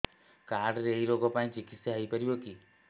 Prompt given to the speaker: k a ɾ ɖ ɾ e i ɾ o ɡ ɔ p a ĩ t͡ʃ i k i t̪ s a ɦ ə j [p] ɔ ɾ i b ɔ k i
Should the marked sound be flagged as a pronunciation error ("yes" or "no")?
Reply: no